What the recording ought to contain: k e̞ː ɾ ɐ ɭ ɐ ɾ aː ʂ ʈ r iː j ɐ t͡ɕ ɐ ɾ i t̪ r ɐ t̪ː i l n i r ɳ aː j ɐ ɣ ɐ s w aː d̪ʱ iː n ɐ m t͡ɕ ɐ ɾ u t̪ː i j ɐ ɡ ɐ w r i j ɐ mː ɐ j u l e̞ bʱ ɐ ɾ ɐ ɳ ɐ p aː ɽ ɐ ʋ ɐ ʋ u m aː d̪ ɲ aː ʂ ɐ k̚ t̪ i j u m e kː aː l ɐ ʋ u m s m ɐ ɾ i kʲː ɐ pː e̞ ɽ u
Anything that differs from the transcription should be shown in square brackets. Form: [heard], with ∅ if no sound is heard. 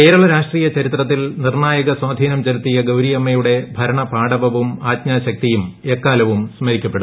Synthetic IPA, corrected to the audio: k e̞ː ɾ ɐ ɭ ɐ ɾ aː ʂ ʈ r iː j ɐ t͡ɕ ɐ ɾ i t̪ r ɐ t̪ː i l n i r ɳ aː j ɐ ɣ ɐ s w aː d̪ʱ iː n ɐ m t͡ɕ ɐ ɾ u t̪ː i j ɐ ɡ ɐ w [ɾ] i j ɐ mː ɐ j u [ɽ] e̞ bʱ ɐ ɾ ɐ ɳ ɐ p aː ɽ ɐ ʋ ɐ ʋ u m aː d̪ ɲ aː [ɕ] ɐ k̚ t̪ i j u m e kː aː l ɐ ʋ u m s m ɐ ɾ i kʲː ɐ pː e̞ ɽ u